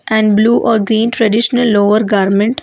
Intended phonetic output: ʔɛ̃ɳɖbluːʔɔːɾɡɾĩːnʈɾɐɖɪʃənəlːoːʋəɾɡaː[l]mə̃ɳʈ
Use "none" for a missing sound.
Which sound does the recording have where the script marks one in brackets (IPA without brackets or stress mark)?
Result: ɾ